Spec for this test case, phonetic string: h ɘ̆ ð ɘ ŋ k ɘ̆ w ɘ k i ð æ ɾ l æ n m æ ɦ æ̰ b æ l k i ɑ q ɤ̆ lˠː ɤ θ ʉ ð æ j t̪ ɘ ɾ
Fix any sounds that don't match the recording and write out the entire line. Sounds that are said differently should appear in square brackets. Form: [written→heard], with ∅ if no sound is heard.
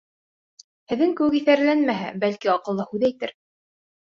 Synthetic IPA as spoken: h ɘ̆ ð ɘ ŋ k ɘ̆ w ɘ k i [ð→θ] æ ɾ l æ n m æ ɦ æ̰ b æ l k i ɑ q ɤ̆ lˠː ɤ [θ→h] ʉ ð æ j t̪ ɘ ɾ